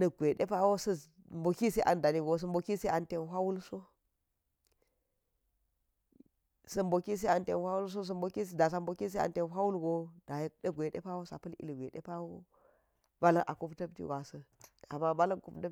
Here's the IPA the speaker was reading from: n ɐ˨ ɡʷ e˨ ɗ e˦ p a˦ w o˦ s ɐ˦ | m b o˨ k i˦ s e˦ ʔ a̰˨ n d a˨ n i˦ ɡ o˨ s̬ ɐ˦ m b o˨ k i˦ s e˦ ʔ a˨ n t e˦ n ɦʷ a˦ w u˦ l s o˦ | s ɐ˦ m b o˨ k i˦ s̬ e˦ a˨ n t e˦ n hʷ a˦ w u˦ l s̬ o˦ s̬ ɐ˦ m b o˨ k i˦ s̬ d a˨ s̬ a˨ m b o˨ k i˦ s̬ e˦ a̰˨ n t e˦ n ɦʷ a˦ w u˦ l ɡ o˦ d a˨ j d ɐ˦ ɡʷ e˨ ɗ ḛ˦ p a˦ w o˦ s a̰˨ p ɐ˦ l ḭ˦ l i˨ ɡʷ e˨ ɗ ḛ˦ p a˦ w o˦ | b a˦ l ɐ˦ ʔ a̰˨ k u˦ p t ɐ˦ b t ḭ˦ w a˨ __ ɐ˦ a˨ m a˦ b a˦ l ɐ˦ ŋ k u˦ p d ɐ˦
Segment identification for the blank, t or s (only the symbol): s